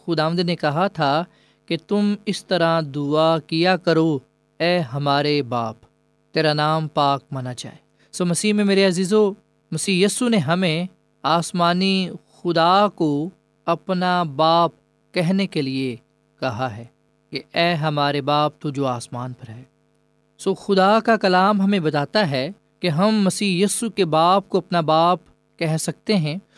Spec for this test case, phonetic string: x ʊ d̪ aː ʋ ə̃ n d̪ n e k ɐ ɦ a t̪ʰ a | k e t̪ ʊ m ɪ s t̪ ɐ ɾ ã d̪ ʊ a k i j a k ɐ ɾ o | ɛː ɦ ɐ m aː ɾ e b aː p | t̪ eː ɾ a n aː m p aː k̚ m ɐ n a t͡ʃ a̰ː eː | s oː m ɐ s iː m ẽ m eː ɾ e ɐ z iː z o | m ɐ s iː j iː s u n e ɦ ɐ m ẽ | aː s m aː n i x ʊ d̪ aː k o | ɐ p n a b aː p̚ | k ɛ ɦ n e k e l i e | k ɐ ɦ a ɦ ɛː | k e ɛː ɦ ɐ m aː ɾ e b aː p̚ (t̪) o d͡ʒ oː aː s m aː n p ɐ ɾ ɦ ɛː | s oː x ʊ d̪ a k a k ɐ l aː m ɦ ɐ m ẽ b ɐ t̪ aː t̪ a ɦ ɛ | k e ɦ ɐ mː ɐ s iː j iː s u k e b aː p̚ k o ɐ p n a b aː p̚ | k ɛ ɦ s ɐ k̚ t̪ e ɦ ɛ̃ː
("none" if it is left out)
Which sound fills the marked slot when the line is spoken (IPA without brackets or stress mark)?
t̪